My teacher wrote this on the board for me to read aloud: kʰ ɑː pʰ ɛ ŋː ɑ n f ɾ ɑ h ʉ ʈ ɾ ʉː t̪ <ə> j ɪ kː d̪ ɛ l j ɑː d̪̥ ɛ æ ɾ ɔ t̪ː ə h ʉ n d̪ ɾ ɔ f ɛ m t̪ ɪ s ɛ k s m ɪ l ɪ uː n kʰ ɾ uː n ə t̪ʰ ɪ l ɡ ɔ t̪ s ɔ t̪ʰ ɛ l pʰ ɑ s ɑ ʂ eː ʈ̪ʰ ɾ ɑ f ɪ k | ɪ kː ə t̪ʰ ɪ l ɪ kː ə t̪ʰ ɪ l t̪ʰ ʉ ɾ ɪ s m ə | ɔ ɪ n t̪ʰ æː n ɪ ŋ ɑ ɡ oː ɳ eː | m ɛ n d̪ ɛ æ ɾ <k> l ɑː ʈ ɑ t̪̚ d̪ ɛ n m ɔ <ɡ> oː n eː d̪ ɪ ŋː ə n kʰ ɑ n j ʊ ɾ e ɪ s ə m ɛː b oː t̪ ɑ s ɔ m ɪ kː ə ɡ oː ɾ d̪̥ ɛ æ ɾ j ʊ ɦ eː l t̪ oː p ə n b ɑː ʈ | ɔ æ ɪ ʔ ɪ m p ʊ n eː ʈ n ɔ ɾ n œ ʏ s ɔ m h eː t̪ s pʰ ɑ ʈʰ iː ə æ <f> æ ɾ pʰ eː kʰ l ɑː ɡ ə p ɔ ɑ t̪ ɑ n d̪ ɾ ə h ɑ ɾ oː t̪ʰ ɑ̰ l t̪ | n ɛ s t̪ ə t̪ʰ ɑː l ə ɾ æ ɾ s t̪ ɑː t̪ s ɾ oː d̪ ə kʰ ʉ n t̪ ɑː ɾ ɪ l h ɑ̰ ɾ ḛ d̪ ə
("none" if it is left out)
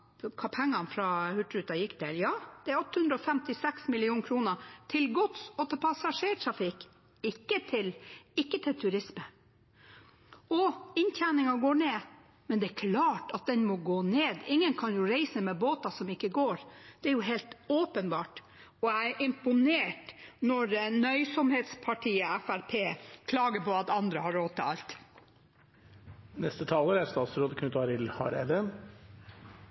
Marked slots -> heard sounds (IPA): ɑ, kʰ, ɡ, f

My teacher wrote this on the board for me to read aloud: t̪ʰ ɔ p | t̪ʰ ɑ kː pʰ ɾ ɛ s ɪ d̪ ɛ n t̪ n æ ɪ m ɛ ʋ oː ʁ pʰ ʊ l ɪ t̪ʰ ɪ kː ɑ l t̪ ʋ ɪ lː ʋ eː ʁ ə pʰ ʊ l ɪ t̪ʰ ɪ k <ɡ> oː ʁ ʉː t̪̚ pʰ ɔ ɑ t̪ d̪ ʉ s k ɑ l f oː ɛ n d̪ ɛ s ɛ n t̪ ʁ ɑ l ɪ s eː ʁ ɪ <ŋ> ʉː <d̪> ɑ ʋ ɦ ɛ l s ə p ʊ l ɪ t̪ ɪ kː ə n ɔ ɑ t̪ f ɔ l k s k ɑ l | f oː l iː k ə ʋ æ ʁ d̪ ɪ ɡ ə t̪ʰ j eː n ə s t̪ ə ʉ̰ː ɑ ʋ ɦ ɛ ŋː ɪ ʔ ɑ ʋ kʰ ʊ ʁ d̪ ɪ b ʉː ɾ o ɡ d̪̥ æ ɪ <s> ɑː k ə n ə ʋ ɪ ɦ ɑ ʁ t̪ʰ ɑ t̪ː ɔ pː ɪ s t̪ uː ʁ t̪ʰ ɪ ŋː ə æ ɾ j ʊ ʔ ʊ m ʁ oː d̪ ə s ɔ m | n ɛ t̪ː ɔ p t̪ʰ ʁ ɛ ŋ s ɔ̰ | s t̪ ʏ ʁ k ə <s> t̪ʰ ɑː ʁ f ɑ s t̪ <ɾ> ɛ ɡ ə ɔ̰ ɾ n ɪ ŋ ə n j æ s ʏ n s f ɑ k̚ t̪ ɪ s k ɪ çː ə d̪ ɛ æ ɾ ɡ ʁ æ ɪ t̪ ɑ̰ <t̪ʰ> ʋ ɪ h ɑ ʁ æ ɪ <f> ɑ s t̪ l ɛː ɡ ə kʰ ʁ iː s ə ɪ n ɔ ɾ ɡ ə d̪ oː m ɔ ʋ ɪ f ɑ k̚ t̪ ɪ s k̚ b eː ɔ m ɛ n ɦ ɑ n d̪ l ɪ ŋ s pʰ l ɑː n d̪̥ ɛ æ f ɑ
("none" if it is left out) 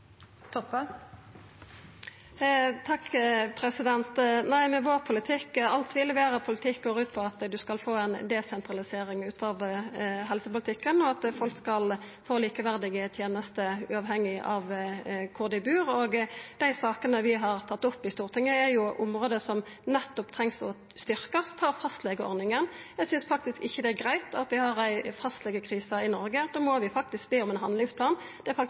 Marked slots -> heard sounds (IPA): ɡ, ŋ, t̪, s, s, l, t̪, f

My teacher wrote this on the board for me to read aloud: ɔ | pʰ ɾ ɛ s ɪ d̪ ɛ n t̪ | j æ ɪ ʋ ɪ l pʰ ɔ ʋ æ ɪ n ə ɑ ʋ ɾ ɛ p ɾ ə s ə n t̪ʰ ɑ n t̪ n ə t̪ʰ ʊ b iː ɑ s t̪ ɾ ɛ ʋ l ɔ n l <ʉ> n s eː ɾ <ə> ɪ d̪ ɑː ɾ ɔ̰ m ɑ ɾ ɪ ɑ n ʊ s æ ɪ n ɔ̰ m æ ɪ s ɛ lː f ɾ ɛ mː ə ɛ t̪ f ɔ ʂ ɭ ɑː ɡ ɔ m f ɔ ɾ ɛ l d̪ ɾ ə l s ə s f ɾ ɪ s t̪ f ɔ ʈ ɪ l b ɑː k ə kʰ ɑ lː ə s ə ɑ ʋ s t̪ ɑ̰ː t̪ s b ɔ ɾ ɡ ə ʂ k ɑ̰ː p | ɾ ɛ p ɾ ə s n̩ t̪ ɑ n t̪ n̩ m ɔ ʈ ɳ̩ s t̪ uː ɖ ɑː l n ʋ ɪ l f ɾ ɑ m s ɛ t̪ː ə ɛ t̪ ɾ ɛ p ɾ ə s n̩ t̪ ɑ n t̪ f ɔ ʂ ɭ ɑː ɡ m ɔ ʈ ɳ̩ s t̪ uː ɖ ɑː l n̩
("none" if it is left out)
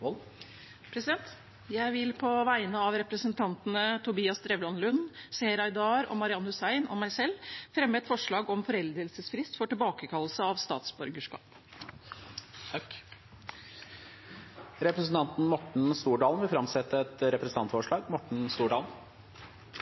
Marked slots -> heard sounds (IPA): ʉ, ɑ

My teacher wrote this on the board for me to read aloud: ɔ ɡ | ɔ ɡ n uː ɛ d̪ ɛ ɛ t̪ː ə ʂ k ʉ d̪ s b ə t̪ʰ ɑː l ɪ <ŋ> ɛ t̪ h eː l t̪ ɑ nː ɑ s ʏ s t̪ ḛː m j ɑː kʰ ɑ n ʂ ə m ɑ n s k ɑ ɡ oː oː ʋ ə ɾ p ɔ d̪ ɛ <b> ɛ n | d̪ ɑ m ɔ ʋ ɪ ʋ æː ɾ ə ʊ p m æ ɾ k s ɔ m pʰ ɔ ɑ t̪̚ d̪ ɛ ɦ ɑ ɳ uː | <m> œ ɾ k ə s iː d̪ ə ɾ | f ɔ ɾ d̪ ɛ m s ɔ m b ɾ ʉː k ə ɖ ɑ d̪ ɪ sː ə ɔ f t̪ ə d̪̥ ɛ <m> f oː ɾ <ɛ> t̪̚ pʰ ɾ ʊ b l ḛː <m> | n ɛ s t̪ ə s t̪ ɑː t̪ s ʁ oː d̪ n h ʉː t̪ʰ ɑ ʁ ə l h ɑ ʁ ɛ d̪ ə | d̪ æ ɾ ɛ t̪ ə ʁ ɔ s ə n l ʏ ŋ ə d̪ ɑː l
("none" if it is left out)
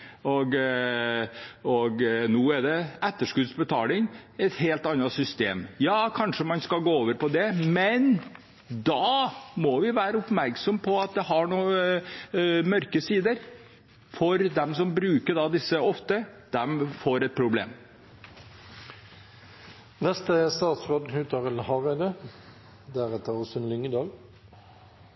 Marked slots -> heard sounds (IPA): ŋ, m, m, m, ɛ, m

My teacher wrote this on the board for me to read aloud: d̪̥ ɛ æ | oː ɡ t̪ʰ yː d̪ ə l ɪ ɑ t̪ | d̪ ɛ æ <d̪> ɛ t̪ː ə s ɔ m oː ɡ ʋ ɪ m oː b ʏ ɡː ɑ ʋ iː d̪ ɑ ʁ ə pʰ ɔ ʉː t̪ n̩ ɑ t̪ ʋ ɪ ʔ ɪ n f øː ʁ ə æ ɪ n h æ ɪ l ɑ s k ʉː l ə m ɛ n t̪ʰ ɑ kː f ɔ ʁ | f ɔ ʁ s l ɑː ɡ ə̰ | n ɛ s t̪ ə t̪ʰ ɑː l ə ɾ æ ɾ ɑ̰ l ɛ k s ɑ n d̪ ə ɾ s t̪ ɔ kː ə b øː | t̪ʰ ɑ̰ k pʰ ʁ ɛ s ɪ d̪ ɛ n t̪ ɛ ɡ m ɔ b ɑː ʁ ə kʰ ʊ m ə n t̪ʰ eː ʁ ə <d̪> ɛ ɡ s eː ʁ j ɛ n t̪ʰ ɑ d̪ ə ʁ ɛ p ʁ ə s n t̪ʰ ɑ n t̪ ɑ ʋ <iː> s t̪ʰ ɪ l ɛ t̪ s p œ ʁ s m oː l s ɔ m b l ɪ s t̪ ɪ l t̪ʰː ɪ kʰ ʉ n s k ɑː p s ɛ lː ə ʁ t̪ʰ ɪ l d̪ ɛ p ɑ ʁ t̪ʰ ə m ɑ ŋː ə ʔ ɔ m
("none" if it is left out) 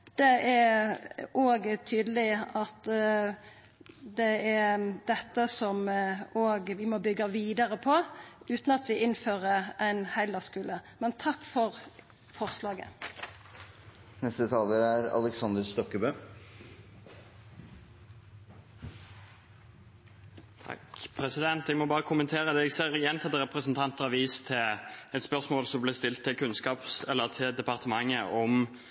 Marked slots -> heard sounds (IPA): d̪, d̪, iː

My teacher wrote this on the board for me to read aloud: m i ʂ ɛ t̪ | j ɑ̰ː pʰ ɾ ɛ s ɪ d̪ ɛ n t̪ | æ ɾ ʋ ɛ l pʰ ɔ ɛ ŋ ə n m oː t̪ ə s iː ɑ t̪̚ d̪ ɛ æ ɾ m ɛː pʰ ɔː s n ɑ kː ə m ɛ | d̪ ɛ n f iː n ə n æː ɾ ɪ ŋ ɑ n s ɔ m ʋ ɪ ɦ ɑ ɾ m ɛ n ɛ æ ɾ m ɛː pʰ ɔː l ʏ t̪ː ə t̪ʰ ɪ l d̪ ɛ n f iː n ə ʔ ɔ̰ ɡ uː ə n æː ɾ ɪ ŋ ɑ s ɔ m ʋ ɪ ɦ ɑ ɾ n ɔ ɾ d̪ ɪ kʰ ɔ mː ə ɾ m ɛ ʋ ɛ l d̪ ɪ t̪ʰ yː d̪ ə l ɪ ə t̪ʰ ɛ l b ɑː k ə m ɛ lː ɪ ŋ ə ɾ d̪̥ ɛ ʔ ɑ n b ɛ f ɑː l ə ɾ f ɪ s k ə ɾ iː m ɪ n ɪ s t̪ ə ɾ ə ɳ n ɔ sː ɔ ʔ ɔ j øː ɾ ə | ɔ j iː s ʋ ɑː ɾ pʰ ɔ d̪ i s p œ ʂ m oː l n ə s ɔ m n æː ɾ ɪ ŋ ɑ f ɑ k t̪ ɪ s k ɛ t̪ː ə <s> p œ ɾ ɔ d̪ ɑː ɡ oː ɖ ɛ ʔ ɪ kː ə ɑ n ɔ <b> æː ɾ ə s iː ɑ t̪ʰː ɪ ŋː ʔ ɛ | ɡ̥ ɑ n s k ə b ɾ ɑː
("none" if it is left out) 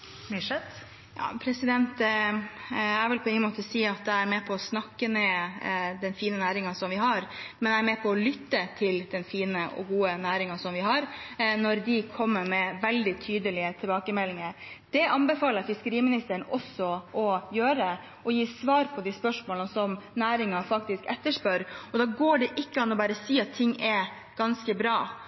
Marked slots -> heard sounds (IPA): ʂ, b

